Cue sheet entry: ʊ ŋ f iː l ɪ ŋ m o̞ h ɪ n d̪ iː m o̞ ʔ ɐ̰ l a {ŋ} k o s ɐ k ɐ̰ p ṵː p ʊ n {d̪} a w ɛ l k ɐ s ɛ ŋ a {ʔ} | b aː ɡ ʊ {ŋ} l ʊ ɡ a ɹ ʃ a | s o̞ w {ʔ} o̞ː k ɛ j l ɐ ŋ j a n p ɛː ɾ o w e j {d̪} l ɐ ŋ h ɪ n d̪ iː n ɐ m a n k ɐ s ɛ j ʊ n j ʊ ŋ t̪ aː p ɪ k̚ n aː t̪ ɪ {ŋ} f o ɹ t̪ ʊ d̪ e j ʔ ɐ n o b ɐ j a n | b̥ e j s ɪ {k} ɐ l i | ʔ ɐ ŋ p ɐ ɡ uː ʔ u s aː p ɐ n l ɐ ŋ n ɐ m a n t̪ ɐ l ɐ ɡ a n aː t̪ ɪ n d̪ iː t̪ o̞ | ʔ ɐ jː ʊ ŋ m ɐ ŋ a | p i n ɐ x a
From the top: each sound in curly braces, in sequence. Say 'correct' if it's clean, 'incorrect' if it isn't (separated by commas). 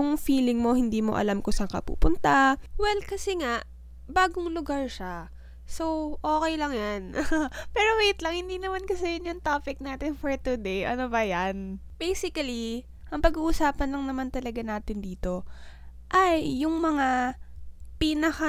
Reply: incorrect, incorrect, correct, correct, correct, incorrect, incorrect, correct